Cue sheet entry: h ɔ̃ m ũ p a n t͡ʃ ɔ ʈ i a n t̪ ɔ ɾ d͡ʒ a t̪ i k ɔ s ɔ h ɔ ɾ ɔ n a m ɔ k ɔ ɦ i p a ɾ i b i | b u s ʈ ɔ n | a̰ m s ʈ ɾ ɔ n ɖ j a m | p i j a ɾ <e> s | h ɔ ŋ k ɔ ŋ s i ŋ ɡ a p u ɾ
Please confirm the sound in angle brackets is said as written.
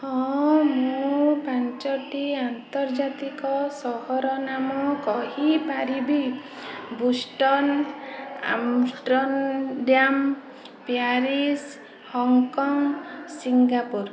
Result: no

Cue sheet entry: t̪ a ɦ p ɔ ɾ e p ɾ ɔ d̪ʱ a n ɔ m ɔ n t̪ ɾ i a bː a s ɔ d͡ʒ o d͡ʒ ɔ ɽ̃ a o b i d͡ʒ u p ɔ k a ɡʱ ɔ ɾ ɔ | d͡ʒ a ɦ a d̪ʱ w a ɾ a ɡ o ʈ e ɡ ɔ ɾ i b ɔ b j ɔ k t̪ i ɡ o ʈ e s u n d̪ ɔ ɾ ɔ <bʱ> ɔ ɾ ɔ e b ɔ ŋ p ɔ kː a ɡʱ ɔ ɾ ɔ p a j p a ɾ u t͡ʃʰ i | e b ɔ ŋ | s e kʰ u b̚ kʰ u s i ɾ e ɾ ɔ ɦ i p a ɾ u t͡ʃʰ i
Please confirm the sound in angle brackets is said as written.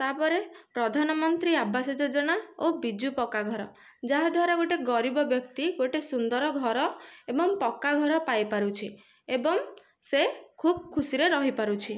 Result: no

